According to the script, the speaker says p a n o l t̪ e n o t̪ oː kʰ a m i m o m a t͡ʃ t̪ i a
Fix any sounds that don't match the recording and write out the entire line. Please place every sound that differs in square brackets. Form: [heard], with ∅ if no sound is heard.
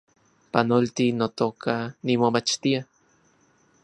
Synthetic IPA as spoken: p a n o l t̪ [i] n o t̪ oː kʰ a [n] i m o m a t͡ʃ t̪ i a